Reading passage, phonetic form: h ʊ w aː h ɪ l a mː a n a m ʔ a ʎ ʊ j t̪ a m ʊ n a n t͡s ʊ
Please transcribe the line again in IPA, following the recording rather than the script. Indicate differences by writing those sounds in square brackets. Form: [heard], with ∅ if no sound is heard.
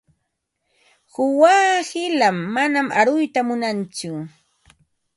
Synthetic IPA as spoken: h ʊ w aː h ɪ l a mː a n a m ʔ a [ɾ] ʊ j t̪ a m ʊ n a n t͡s ʊ